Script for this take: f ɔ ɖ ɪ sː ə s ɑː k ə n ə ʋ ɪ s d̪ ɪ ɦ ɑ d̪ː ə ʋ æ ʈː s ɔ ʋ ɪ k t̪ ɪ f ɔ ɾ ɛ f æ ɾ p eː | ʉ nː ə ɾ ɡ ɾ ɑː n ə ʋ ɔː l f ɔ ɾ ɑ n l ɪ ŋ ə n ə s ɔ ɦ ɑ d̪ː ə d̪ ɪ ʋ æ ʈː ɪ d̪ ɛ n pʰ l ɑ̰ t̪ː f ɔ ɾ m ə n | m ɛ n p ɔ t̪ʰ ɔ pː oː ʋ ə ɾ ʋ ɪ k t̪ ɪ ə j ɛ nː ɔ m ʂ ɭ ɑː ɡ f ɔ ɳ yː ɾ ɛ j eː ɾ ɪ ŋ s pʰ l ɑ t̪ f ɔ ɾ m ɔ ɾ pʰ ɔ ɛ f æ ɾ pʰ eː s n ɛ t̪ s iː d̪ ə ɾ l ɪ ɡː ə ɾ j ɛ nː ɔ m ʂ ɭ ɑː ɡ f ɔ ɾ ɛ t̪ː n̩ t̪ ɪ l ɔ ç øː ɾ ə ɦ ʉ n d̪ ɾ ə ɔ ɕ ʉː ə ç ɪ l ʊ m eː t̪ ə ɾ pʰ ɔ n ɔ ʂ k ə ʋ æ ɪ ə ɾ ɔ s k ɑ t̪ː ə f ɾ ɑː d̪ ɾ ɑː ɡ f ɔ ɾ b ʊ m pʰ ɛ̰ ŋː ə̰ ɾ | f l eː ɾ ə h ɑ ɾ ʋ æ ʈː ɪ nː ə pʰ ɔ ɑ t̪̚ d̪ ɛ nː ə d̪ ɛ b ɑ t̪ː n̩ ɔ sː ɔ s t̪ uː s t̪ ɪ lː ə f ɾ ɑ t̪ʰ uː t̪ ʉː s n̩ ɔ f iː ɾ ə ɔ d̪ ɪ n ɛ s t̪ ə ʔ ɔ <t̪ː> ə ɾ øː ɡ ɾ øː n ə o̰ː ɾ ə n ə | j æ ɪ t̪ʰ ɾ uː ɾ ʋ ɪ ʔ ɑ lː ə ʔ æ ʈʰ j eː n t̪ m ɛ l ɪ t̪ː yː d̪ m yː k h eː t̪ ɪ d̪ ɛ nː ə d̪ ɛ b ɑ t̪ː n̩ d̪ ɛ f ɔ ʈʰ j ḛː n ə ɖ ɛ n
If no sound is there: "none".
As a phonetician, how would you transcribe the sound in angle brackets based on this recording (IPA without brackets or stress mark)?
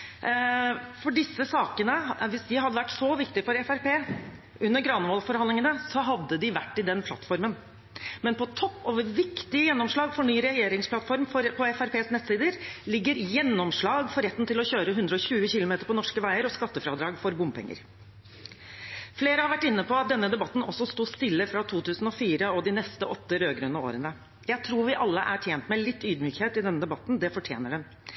t̪ː